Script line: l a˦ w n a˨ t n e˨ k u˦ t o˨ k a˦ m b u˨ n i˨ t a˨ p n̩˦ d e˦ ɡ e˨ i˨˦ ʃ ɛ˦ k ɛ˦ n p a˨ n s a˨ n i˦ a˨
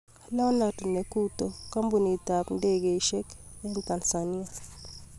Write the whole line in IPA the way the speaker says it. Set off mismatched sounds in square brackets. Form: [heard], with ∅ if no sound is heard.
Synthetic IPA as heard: l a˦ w n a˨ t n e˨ k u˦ t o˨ k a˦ m b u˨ n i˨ t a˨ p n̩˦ d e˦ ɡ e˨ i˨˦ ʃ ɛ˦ k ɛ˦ n [t] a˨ n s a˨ n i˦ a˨